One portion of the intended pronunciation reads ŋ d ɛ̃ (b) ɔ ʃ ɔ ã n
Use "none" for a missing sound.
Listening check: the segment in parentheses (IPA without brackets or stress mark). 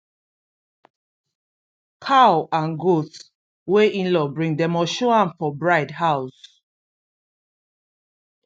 m